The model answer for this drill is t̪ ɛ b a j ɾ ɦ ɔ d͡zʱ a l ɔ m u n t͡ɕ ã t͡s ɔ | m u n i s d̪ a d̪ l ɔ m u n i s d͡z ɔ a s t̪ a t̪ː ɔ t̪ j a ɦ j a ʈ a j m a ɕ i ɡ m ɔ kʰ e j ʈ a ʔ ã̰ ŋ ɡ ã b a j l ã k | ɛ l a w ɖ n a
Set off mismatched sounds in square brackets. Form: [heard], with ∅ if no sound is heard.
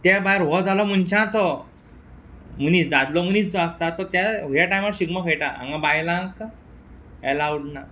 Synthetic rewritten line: t̪ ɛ b a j ɾ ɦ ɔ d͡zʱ a l ɔ m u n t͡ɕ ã t͡s ɔ | m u n i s d̪ a d̪ l ɔ m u n i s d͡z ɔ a s t̪ a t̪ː ɔ t̪ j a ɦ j a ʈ a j m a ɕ i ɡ m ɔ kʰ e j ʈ a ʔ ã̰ ŋ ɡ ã b a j l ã k | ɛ l a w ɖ n a